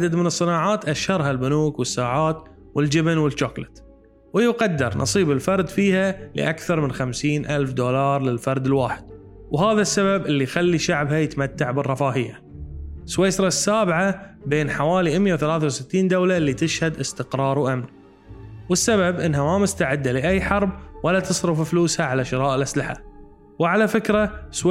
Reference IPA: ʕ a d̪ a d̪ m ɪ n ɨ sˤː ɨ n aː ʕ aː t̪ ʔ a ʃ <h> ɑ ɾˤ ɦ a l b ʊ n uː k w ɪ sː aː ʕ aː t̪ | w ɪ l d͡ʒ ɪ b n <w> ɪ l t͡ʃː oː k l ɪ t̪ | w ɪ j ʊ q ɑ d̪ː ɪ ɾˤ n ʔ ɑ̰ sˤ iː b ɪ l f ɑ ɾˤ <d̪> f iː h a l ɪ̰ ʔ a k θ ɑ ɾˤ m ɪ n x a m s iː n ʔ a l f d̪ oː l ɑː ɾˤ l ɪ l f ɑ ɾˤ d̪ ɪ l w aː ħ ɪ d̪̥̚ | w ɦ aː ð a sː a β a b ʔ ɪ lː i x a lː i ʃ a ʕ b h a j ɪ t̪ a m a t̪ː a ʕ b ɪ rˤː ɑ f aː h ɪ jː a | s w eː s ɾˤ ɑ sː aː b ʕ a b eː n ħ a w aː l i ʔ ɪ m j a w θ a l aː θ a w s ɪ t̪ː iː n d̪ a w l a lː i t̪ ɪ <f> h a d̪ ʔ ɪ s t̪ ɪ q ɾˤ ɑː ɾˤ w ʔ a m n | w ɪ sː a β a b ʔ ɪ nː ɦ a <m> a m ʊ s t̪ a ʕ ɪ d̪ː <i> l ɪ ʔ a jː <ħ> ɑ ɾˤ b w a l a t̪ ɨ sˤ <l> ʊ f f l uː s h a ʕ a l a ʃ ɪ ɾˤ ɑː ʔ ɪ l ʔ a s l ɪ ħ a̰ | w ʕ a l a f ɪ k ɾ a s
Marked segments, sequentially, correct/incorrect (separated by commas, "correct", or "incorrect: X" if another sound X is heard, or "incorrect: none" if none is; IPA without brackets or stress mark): correct, correct, correct, incorrect: ʃ, correct, incorrect: a, correct, incorrect: ɾ